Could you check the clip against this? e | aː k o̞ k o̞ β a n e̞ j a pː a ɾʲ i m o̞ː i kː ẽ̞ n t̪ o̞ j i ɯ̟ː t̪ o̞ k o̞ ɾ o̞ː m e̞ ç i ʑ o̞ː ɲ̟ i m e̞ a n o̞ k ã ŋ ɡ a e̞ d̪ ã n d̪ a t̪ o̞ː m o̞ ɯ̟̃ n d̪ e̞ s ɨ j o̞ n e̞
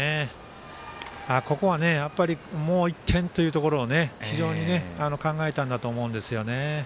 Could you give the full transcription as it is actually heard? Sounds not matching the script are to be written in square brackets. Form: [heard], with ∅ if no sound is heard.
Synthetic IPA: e | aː k o̞ k o̞ β a n e̞ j a pː a ɾʲ i m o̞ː i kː ẽ̞ n t̪ o̞ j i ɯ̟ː t̪ o̞ k o̞ ɾ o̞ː [n] e̞ ç i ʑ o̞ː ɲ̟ i [n] e̞ a n o̞ k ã ŋ ɡ a e̞ [t̪] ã n d̪ a t̪ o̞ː m o̞ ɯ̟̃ n d̪ e̞ s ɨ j o̞ n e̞

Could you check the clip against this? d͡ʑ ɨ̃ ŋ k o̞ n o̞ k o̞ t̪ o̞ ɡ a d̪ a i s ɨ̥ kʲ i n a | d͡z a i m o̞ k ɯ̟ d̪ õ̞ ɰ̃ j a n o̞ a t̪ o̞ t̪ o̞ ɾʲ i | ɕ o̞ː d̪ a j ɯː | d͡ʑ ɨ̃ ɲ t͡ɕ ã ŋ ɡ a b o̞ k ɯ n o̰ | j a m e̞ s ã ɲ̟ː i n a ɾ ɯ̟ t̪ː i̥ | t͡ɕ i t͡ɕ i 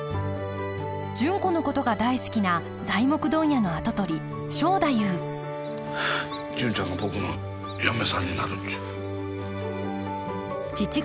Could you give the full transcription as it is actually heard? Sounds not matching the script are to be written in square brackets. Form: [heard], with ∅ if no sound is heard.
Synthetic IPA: d͡ʑ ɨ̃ ŋ k o̞ n o̞ k o̞ t̪ o̞ ɡ a d̪ a i s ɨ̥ kʲ i n a | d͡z a i m o̞ k ɯ̟ d̪ õ̞ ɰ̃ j a n o̞ a t̪ o̞ t̪ o̞ ɾʲ i | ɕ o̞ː d̪ a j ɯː | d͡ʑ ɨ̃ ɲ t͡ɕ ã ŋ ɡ a b o̞ k ɯ n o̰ | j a m e̞ s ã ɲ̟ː i n a ɾ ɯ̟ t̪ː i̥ | t͡ɕ i t͡ɕ i

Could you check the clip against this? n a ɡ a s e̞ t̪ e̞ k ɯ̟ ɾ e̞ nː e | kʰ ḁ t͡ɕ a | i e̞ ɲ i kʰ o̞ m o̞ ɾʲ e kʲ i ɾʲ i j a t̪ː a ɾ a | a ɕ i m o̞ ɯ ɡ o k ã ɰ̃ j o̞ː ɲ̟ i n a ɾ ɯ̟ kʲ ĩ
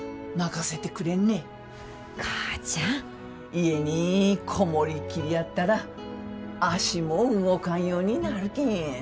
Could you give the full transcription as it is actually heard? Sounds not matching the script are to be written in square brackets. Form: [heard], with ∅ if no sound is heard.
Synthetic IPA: n a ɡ a s e̞ t̪ e̞ k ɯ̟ ɾ e̞ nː e | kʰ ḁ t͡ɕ a | i e̞ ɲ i kʰ o̞ m o̞ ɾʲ [i] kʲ i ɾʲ i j a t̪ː a ɾ a | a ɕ i m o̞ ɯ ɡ o k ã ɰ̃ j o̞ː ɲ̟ i n a ɾ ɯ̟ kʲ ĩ

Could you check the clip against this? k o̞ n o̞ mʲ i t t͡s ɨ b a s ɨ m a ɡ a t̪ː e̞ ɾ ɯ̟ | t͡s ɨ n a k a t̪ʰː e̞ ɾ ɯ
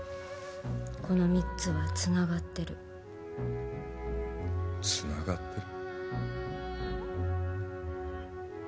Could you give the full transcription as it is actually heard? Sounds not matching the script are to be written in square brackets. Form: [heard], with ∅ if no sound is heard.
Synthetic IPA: k o̞ n o̞ mʲ i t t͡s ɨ [β] a [t͡s] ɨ [n] a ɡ a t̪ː e̞ ɾ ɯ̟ | t͡s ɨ n a [ɡ] a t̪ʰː e̞ ɾ ɯ

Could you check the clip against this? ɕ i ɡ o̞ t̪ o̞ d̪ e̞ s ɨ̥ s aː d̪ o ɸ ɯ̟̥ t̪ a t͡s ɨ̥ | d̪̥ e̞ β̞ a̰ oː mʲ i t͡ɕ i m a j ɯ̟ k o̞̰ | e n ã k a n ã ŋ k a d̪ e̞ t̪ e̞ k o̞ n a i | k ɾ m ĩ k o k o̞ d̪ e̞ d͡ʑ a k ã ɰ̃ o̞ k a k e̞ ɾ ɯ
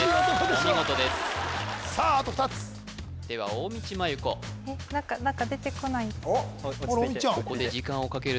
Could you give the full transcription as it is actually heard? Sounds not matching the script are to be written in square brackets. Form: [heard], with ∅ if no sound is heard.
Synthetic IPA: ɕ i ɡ o̞ t̪ o̞ d̪ e̞ s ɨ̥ s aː [t̪] o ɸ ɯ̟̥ t̪ a t͡s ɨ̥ | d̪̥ e̞ β̞ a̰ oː mʲ i t͡ɕ i m a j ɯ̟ k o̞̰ | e n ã k a n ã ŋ k a d̪ e̞ t̪ e̞ k o̞ n a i | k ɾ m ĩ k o k o̞ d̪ e̞ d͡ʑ [i] k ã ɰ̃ o̞ k a k e̞ ɾ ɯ

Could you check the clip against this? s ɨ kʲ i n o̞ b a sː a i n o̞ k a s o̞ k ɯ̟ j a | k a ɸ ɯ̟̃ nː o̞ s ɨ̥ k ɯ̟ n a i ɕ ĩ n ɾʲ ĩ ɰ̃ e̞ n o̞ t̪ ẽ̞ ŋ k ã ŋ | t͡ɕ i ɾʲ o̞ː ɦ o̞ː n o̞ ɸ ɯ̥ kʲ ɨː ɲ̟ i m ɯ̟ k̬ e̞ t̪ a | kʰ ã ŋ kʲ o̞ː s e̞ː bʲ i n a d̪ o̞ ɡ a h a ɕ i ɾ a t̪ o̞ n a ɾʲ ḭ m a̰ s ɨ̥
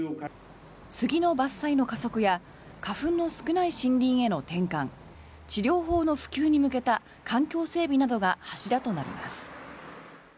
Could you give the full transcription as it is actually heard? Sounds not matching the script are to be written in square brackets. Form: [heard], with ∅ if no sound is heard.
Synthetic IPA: s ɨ [ɡʲ] i n o̞ b a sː a i n o̞ k a s o̞ k ɯ̟ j a | k a ɸ ɯ̟̃ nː o̞ s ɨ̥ k ɯ̟ n a i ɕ ĩ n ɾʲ ĩ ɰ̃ e̞ n o̞ t̪ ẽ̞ ŋ k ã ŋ | t͡ɕ i ɾʲ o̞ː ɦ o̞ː n o̞ ɸ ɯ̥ kʲ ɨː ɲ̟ i m ɯ̟ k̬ e̞ t̪ a | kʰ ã ŋ kʲ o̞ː s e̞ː bʲ i n a d̪ o̞ ɡ a h a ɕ i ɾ a t̪ o̞ n a ɾʲ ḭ m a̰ s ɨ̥

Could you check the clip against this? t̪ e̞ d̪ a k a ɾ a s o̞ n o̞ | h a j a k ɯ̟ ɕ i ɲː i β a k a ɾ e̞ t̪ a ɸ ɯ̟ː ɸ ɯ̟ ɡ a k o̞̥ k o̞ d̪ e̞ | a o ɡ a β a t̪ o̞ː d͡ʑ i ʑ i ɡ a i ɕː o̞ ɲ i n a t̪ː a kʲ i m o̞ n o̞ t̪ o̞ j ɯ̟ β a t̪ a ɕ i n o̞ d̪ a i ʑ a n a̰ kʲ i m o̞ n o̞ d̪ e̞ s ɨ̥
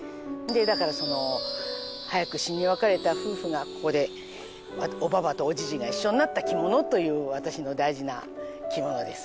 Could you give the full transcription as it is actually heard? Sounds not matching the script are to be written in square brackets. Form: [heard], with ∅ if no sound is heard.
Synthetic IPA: [d̪] e̞ d̪ a k a ɾ a s o̞ n o̞ | h a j a k ɯ̟ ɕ i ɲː i β a k a ɾ e̞ t̪ a ɸ ɯ̟ː ɸ ɯ̟ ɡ a k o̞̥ k o̞ d̪ e̞ | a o [b] a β a t̪ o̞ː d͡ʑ i ʑ i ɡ a i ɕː o̞ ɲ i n a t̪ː a kʲ i m o̞ n o̞ t̪ o̞ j [ɯ̟ː] β a t̪ a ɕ i n o̞ d̪ a i ʑ [i] n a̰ kʲ i m o̞ n o̞ d̪ e̞ s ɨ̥

